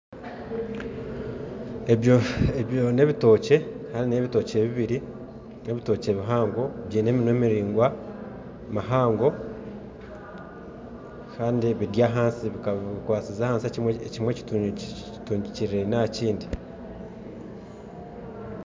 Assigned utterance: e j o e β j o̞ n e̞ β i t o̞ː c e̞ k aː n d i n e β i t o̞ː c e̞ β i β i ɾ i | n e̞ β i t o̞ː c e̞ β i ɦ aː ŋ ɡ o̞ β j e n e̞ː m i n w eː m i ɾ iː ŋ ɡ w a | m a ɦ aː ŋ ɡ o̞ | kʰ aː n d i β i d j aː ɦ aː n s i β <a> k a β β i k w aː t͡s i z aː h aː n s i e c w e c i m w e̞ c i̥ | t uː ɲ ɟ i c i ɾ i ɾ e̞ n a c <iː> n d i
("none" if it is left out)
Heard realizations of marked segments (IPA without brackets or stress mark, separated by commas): i, iː